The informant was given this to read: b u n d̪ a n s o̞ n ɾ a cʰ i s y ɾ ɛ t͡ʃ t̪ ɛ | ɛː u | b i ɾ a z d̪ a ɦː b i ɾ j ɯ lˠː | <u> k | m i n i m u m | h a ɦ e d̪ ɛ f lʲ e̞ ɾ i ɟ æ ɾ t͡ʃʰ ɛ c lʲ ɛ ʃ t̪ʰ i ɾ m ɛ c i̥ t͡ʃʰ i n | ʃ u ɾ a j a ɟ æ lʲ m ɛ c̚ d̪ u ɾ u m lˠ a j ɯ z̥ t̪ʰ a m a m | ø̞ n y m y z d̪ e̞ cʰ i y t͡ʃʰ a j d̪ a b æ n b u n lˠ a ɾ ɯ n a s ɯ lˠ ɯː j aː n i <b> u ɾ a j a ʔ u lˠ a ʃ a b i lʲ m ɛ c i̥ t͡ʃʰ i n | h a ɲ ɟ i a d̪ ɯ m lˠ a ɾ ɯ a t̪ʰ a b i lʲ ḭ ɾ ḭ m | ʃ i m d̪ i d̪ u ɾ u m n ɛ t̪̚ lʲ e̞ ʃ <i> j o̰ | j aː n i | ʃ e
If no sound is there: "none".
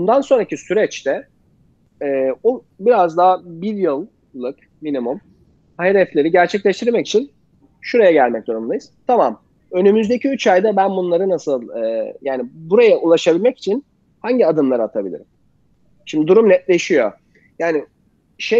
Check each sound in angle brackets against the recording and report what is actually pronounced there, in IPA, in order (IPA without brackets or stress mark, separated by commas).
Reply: ɯ, b, i